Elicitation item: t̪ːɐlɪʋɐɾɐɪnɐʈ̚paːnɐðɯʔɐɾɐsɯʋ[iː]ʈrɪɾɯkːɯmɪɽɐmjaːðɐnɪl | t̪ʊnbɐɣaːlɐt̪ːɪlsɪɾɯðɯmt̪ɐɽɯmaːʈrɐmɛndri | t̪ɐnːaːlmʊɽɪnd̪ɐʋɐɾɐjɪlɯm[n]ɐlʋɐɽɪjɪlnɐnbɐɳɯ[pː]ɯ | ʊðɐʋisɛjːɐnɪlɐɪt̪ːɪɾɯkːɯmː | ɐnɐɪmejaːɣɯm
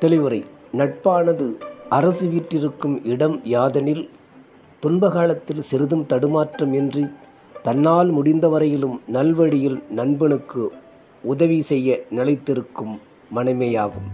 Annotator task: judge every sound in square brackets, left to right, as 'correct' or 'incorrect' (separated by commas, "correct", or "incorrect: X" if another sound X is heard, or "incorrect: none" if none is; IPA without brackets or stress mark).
correct, correct, incorrect: kː